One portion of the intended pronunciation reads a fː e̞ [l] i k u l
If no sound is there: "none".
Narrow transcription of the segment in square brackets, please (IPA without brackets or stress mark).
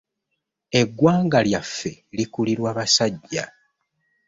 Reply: l